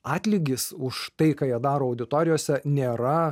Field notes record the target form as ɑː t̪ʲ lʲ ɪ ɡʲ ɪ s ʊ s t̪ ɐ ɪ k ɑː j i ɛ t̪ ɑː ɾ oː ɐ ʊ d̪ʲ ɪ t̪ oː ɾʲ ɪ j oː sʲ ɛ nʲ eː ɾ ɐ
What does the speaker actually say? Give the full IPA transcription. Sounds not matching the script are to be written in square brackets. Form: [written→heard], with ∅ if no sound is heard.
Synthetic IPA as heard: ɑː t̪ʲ lʲ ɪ ɡʲ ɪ s ʊ [s→ʃ] t̪ ɐ ɪ k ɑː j i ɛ [t̪→d̪] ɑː ɾ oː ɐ ʊ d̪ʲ ɪ t̪ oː ɾʲ ɪ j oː sʲ ɛ nʲ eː ɾ ɐ